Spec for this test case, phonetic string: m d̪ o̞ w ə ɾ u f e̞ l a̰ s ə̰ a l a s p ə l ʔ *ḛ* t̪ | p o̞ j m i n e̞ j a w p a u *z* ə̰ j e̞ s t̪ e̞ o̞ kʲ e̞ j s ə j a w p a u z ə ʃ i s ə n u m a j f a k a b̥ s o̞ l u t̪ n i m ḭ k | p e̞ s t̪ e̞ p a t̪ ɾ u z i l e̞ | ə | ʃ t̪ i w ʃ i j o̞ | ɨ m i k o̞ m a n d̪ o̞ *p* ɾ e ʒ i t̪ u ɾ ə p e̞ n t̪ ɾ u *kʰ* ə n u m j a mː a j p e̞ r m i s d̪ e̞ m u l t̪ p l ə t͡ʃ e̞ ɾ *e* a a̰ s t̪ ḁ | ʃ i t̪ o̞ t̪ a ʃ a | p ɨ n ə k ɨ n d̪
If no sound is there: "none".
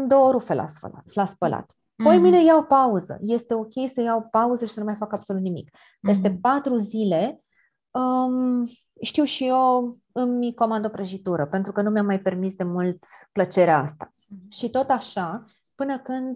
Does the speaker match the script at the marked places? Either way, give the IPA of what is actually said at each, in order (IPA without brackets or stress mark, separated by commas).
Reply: a̰, z, p, k, e